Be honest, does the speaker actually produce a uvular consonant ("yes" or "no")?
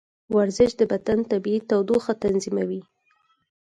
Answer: no